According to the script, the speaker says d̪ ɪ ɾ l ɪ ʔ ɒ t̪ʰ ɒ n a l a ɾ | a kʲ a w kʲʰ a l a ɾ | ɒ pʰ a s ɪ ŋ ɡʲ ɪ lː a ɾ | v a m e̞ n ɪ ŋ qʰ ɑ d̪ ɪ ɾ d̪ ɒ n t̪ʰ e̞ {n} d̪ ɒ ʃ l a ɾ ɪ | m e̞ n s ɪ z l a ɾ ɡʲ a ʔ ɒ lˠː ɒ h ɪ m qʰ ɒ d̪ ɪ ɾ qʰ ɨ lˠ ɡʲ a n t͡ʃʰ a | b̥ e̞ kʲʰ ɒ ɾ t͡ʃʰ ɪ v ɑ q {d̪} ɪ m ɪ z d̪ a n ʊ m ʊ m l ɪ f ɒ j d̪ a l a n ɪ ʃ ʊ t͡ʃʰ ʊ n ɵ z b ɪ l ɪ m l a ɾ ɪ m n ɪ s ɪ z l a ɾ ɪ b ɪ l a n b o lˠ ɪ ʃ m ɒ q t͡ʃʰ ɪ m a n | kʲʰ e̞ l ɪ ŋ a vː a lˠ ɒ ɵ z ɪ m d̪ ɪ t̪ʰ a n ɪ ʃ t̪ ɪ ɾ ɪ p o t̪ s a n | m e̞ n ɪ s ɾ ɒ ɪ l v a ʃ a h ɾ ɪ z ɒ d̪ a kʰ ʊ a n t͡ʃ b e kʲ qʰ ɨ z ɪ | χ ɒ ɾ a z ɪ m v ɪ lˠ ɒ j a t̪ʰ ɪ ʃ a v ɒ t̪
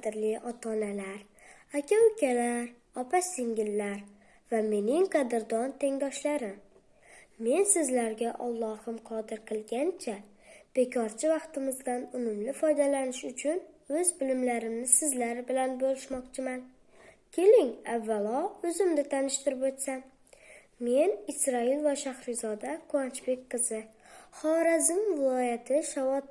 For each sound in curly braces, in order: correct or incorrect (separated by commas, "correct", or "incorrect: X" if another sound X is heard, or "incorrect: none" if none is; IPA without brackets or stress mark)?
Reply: incorrect: ŋ, incorrect: t̪